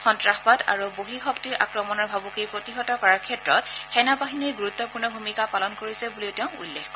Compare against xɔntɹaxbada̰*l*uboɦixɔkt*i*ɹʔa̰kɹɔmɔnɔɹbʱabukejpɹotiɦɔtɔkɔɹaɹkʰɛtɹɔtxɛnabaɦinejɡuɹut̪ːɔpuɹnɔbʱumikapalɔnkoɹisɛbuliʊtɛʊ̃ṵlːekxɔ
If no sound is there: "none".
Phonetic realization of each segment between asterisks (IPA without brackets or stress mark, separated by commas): ɹ, i